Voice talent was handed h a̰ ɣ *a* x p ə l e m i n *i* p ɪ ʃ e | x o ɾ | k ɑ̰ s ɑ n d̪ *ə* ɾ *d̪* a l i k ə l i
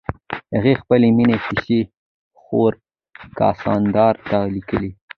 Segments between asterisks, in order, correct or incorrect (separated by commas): incorrect, incorrect, incorrect, incorrect